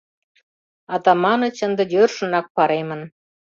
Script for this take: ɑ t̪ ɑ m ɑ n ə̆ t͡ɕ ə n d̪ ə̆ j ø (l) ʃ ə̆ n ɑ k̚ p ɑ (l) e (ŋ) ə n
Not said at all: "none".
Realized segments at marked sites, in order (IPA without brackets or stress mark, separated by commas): r, ɾ, m